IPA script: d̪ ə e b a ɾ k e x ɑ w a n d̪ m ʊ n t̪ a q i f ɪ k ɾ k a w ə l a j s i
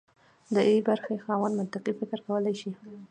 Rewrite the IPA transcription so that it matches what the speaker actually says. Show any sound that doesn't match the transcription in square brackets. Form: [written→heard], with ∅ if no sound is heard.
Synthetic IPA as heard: d̪ ə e b a ɾ [k→x] e x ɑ w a n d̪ m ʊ n t̪ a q i f ɪ k ɾ k a w ə l a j [s→ʃ] i